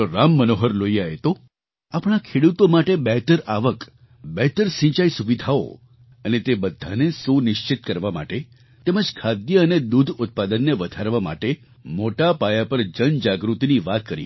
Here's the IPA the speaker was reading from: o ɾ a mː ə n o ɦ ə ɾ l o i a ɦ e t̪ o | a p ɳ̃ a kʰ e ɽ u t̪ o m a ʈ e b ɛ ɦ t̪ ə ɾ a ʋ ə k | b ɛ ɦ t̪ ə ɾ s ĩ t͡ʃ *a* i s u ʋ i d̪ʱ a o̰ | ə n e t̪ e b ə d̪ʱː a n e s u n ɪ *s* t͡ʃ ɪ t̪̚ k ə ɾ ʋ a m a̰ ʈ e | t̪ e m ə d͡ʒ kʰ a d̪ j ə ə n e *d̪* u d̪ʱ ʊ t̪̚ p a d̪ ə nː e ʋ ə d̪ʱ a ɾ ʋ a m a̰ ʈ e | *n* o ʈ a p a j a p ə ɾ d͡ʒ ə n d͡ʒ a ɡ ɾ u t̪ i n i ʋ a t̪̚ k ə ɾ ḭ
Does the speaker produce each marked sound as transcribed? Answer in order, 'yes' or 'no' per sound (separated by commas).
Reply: yes, no, yes, no